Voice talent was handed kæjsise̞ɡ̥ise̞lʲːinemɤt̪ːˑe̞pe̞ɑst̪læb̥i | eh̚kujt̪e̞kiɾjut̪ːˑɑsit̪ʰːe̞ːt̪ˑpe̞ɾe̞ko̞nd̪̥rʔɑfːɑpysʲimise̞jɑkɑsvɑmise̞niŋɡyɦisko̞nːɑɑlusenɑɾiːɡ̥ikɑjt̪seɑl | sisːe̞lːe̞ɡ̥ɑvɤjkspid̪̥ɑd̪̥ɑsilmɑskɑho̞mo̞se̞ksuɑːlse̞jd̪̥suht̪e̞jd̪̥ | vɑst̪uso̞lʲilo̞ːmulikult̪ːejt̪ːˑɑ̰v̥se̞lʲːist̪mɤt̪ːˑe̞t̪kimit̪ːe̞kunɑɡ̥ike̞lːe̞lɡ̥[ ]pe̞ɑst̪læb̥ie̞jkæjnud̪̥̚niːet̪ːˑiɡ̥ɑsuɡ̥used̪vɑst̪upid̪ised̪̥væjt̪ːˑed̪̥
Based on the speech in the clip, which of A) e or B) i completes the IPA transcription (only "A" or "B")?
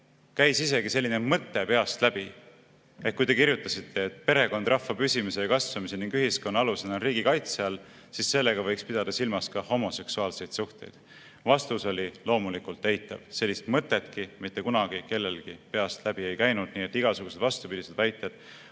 B